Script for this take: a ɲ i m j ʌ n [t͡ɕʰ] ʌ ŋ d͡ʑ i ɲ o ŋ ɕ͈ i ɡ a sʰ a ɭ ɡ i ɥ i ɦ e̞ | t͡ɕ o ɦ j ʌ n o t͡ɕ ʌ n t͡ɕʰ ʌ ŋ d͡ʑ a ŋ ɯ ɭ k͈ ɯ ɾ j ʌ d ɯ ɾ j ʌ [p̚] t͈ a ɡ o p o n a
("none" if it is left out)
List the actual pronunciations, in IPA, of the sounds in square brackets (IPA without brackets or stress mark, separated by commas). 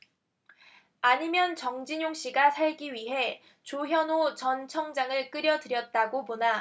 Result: t͡ɕ, t̚